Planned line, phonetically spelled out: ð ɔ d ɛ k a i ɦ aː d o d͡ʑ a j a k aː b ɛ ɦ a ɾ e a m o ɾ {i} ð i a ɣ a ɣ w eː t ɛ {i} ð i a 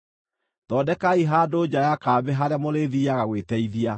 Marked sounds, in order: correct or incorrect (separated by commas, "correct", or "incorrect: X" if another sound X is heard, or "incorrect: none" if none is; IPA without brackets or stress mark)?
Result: incorrect: e, correct